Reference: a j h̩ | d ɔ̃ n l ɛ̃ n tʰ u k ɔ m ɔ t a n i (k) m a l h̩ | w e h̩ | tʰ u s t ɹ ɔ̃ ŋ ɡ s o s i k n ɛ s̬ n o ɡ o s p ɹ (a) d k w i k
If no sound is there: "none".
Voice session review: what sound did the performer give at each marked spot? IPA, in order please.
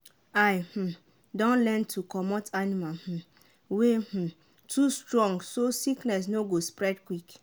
none, ɛ

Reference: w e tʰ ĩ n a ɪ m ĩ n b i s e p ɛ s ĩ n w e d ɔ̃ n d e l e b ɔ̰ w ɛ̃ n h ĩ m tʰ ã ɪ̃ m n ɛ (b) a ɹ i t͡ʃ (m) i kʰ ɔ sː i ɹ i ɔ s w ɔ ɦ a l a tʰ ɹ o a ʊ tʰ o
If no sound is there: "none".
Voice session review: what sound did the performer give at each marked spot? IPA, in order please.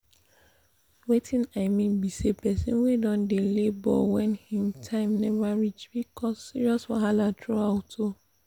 v, b

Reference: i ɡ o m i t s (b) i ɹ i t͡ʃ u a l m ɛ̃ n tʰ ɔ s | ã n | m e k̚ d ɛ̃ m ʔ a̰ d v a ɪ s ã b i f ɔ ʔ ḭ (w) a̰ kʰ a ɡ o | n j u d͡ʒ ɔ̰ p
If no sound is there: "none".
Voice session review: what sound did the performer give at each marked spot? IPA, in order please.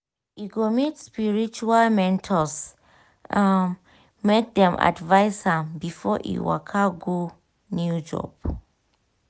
p, w

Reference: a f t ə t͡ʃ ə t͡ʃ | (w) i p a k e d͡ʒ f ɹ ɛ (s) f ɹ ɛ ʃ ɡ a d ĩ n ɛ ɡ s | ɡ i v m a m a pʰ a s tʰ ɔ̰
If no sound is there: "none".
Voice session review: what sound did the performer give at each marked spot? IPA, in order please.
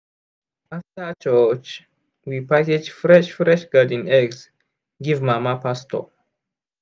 w, ʃ

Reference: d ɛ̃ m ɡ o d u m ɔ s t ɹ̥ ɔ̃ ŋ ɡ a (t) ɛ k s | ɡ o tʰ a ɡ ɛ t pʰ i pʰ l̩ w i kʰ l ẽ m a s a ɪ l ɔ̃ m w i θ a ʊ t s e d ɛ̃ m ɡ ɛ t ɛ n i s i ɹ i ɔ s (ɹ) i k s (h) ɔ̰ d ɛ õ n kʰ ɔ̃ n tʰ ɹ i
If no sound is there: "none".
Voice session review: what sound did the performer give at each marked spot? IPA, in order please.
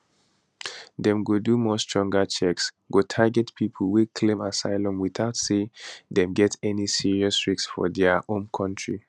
t͡ʃ, ɹ, f

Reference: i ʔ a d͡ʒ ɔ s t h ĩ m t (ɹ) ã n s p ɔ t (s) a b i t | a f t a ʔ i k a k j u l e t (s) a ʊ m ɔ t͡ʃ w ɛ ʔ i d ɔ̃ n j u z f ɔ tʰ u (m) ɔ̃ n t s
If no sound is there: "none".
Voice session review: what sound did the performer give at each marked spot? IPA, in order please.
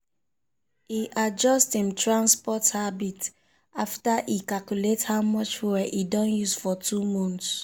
ɹ, h, h, m

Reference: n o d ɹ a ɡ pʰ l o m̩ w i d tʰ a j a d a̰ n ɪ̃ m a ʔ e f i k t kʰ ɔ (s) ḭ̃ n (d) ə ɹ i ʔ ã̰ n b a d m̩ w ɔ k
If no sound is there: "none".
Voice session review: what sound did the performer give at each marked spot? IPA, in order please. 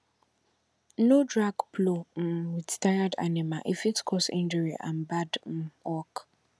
s, d͡ʒ

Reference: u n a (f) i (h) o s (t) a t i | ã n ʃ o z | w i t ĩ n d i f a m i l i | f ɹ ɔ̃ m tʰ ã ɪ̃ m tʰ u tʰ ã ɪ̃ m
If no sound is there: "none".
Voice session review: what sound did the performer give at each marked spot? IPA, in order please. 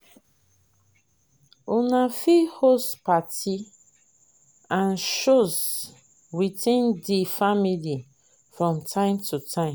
f, h, p

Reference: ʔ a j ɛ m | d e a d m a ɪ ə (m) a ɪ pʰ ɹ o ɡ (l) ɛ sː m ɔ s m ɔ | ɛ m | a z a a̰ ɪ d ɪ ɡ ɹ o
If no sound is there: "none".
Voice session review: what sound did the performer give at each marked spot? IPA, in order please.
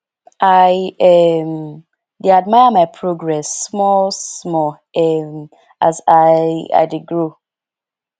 m, ɹ

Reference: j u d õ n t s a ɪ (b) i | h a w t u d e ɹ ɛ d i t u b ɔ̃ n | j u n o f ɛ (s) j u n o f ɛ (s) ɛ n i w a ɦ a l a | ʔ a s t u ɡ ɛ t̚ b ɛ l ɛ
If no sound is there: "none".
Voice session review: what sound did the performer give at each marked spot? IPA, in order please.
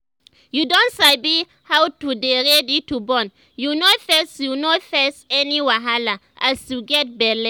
b, s, s

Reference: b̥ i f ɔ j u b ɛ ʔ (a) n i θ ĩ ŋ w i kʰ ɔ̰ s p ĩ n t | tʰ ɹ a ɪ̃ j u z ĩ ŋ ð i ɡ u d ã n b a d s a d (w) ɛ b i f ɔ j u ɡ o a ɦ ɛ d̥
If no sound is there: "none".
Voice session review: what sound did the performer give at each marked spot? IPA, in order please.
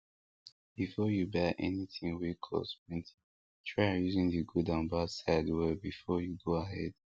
ɛ, w

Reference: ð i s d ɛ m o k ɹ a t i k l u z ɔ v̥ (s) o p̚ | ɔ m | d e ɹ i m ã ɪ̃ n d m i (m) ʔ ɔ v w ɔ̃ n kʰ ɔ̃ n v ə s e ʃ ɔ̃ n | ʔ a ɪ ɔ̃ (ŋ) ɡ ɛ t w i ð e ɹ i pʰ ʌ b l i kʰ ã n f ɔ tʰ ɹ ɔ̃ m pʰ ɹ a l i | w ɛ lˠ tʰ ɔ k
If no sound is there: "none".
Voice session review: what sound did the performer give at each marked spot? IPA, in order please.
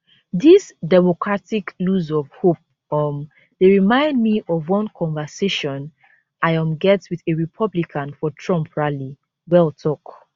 h, none, m

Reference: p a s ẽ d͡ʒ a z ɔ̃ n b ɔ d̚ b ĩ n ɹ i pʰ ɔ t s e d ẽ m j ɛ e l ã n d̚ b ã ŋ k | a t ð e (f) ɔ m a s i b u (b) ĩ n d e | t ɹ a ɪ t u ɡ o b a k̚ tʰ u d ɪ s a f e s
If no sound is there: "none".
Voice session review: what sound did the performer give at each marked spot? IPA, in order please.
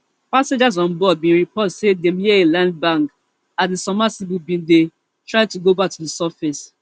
s, b

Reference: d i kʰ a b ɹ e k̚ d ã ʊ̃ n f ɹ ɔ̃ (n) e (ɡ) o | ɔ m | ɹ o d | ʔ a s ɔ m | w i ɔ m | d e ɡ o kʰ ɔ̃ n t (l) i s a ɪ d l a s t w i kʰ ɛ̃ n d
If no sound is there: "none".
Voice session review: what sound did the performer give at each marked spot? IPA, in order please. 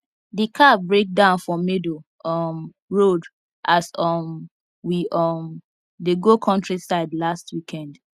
m, d, ɹ

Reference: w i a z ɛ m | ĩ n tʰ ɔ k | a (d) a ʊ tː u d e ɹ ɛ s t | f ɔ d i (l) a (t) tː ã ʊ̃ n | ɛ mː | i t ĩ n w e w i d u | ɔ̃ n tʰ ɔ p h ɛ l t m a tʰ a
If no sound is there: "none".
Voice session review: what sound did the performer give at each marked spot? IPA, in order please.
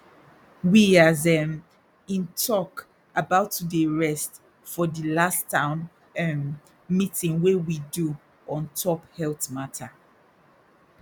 b, l, s

